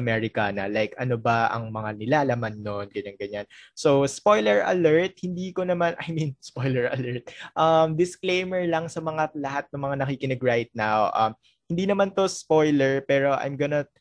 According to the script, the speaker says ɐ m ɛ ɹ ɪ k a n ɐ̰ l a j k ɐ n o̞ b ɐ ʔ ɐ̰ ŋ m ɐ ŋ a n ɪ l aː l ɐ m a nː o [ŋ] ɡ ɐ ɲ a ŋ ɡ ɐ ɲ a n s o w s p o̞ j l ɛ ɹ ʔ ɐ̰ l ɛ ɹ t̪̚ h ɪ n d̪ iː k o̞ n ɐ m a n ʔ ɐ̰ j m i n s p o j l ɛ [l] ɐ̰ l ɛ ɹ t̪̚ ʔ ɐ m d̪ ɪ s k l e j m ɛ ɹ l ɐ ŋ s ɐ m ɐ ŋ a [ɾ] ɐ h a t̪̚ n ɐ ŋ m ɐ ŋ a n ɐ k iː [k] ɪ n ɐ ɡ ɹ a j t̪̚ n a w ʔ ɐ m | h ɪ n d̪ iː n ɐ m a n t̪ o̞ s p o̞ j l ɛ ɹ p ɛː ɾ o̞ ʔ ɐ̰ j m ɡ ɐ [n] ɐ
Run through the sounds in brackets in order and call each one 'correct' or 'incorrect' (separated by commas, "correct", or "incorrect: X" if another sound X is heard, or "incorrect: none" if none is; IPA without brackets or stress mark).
incorrect: n, incorrect: ɹ, incorrect: l, correct, correct